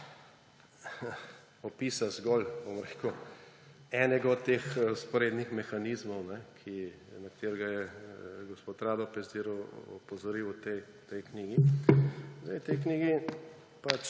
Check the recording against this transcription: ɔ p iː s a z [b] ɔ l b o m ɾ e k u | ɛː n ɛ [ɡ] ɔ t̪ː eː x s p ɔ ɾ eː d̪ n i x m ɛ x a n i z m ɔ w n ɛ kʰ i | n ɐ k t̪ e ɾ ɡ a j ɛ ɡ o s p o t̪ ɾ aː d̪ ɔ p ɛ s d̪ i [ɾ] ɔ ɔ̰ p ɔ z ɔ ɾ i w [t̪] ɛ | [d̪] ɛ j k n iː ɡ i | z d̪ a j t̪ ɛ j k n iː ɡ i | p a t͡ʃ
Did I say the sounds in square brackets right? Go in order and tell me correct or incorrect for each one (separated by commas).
incorrect, correct, correct, correct, incorrect